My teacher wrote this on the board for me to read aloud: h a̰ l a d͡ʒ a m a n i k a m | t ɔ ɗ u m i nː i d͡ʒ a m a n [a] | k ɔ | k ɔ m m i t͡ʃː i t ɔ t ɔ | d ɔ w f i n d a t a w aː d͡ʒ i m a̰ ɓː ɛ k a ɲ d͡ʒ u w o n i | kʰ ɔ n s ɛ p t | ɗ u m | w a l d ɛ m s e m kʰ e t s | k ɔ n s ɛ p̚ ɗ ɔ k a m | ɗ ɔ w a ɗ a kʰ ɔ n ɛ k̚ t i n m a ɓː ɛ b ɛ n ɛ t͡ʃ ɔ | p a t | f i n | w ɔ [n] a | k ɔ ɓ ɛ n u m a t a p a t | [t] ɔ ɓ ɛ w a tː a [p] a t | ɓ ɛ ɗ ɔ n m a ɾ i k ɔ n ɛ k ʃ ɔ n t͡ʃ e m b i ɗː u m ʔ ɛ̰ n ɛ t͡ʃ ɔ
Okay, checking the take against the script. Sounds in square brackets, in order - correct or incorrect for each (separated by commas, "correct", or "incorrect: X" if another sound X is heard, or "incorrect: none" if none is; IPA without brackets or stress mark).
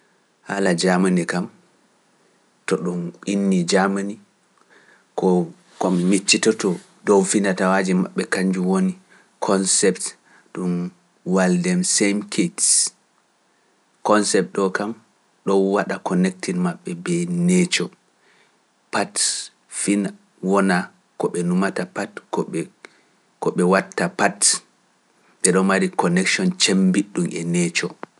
incorrect: i, correct, incorrect: k, correct